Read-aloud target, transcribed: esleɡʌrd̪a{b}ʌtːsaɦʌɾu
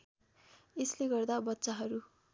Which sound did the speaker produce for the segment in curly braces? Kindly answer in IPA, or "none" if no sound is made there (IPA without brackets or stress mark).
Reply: b